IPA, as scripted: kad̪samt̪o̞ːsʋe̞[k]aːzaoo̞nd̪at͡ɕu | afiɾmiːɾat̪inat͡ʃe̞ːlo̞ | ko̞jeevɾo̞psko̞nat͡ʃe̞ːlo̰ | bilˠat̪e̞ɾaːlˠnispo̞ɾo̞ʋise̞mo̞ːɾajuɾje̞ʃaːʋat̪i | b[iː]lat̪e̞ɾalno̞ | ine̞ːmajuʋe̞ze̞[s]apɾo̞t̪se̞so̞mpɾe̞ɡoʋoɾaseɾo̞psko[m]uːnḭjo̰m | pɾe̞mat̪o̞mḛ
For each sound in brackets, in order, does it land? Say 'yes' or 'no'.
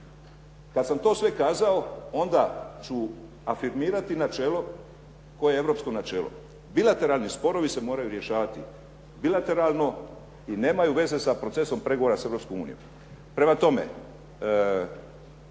yes, no, yes, yes

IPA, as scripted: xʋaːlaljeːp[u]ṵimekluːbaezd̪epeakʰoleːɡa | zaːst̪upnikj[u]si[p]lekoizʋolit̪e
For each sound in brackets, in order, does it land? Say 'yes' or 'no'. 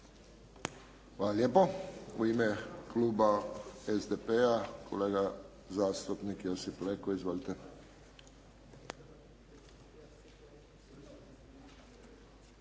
no, no, yes

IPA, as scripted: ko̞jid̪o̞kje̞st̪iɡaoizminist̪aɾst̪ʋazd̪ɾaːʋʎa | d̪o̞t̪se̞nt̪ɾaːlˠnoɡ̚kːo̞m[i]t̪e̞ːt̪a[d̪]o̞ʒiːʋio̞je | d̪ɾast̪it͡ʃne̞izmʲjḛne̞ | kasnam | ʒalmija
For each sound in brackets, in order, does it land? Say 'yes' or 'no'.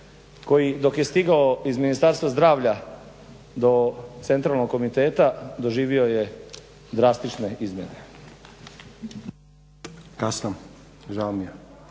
yes, yes

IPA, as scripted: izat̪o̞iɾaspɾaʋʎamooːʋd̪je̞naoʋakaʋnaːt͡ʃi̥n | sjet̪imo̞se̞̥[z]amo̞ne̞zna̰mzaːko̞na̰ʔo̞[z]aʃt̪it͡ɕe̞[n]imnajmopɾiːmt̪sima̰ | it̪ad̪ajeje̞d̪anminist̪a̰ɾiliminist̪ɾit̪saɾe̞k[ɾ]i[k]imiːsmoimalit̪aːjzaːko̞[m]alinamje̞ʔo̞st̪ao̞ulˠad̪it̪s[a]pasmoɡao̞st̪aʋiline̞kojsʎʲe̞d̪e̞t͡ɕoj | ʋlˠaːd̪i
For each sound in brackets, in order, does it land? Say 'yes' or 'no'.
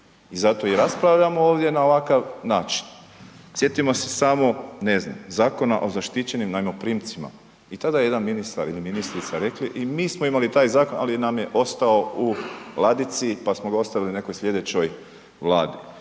no, yes, yes, no, no, no, no

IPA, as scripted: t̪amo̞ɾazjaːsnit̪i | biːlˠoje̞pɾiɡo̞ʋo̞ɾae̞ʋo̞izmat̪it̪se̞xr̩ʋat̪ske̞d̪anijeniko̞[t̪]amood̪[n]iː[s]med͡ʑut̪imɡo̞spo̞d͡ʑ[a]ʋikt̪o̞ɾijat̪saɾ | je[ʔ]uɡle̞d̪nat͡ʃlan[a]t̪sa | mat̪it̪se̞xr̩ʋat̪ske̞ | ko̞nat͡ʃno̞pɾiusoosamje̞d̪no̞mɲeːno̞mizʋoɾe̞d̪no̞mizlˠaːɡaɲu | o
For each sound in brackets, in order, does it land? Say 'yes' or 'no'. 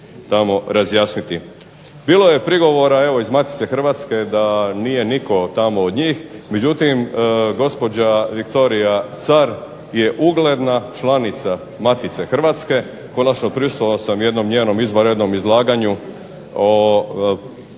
yes, no, no, yes, yes, no

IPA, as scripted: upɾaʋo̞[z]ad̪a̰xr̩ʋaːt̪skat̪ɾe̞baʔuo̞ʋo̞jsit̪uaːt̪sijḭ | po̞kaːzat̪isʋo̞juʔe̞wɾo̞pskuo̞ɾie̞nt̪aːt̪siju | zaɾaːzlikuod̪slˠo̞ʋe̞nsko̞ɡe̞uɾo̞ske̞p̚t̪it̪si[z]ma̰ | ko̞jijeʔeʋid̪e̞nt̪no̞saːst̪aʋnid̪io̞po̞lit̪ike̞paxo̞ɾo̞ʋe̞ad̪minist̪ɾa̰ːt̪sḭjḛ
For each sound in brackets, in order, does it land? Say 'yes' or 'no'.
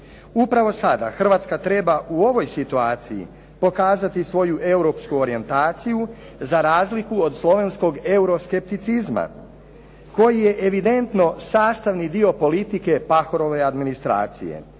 no, yes

